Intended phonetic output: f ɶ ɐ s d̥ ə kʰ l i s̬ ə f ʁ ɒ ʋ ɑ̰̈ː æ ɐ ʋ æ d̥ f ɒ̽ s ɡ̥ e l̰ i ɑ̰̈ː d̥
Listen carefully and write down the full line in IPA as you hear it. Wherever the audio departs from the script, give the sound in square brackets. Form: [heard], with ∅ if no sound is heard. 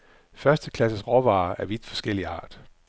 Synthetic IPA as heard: f ɶ ɐ s d̥ ə kʰ l [æ] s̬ ə [s] ʁ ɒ ʋ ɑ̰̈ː æ ɐ ʋ [i] d̥ f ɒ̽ s ɡ̥ e l̰ i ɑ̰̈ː d̥